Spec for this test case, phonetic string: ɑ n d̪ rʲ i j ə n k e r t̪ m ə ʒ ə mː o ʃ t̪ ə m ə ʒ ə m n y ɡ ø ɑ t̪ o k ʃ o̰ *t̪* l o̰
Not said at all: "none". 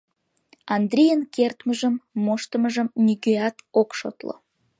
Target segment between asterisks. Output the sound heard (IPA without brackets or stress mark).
t̪